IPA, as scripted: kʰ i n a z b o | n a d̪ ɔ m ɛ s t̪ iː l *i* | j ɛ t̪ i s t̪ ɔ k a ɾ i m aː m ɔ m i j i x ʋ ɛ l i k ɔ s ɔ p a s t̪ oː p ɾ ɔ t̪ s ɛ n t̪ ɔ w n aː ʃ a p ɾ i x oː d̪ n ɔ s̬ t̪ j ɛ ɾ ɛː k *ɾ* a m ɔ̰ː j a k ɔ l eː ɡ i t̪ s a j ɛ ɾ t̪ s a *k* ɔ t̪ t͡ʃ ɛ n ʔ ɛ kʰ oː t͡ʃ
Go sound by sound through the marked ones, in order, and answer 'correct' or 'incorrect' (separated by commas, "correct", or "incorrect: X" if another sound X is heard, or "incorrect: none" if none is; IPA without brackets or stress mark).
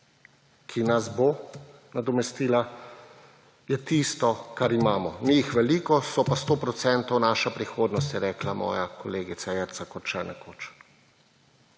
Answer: incorrect: a, incorrect: l, correct